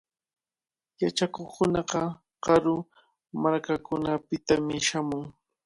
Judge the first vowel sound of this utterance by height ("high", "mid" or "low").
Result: low